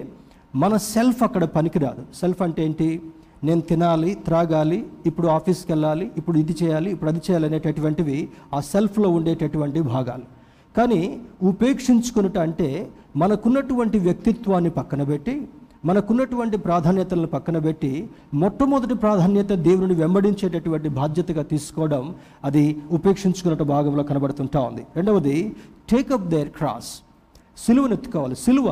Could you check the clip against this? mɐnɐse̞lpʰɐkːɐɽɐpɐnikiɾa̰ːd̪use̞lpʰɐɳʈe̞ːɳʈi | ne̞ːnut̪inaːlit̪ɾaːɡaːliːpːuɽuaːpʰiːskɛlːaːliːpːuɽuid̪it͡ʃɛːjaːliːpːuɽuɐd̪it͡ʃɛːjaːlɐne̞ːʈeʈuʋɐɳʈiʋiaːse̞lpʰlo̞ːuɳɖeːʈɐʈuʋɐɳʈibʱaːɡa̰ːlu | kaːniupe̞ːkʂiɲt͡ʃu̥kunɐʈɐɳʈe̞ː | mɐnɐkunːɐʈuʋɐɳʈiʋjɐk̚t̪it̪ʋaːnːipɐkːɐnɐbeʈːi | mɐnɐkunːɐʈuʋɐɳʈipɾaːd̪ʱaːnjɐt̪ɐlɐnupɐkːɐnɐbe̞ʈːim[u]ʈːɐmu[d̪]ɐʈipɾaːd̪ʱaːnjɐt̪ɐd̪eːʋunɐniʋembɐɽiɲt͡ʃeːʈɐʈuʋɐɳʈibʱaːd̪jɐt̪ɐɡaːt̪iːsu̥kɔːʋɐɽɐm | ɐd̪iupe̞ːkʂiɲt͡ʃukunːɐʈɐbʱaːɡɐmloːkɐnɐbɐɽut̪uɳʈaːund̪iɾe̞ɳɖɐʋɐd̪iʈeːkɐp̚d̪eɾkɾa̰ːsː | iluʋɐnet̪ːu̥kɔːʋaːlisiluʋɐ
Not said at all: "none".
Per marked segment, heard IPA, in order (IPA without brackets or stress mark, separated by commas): ɔ, d̪